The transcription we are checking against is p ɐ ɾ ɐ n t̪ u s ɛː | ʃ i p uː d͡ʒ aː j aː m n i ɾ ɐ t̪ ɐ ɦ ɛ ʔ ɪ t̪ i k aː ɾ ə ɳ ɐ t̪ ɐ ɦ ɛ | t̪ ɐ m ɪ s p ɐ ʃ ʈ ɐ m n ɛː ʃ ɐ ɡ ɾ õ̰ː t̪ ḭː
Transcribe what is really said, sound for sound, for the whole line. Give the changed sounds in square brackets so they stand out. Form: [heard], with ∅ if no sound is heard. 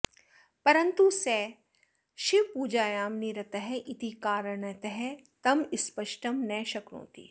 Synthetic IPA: p ɐ ɾ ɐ n t̪ u s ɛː | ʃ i p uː d͡ʒ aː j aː m n i ɾ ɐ t̪ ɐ ɦ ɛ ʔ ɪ t̪ i k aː ɾ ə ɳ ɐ t̪ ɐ ɦ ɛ | t̪ ɐ m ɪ s p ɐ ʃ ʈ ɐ m n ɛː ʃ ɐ [k] ɾ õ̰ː t̪ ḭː